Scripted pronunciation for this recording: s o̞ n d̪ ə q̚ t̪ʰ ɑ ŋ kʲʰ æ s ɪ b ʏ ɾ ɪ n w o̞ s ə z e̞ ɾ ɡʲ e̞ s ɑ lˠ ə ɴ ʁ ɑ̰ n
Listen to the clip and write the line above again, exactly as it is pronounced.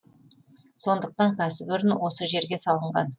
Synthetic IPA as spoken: s o̞ n d̪ ə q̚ t̪ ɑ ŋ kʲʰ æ s ɪ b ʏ ɾ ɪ n w o̞ s ə ʒ e̞ ɾ ɡʲ e̞ s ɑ lˠ ə ɴ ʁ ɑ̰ n